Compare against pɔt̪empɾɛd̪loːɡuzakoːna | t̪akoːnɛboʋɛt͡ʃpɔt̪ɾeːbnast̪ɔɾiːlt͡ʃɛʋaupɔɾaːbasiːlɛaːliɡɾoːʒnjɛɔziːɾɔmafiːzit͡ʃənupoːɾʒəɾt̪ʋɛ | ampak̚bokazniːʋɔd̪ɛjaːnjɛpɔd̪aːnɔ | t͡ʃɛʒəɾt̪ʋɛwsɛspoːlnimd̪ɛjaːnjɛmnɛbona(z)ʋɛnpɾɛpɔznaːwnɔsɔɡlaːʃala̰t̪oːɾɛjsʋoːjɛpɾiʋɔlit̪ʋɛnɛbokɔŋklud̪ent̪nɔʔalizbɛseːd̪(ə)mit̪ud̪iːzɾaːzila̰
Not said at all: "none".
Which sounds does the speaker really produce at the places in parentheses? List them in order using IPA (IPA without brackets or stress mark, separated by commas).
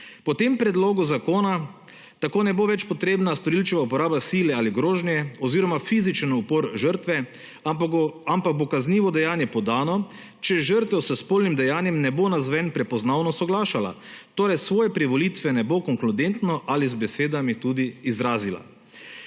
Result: z, a